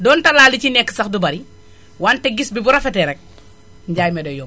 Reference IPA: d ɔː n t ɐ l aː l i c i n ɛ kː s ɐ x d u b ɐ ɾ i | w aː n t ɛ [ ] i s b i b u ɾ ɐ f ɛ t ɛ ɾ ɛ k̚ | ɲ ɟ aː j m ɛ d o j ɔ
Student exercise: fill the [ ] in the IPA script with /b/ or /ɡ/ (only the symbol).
ɡ